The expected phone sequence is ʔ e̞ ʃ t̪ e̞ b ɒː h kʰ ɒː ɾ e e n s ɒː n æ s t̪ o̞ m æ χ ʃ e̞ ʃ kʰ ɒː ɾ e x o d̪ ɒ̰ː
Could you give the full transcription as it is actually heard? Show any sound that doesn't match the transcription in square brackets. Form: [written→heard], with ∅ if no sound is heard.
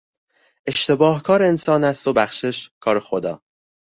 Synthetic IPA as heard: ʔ e̞ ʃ t̪ e̞ b ɒː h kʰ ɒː ɾ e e n s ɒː n æ s t̪ o̞ [m→b] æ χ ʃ e̞ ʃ kʰ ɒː ɾ e x o d̪ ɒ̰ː